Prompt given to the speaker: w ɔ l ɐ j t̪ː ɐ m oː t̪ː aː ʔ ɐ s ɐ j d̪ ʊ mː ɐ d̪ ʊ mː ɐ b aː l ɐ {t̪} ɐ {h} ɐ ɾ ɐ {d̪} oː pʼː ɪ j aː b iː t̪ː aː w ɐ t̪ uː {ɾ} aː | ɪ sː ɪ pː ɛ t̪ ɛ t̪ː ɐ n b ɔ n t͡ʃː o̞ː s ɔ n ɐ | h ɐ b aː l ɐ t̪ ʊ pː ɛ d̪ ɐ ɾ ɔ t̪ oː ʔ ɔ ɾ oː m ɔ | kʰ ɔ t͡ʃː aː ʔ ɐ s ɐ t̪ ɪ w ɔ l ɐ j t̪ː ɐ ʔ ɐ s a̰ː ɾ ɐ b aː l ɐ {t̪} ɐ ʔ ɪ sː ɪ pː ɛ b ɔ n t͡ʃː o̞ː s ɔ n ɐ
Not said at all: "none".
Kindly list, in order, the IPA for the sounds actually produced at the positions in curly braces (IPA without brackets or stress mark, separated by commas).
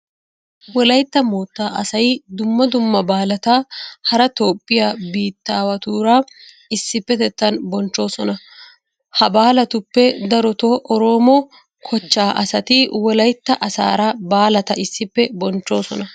t̪, h, t̪, ɾ, t̪